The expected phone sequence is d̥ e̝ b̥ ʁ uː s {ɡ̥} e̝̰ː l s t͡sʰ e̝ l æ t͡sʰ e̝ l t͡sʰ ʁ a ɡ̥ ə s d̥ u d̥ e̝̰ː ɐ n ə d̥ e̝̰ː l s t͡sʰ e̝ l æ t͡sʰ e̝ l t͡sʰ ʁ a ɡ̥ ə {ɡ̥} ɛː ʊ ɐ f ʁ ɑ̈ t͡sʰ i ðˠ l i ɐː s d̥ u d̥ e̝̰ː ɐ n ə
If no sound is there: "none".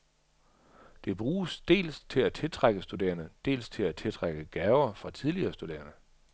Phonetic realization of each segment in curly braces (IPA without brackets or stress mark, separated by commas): d̥, ɡ̥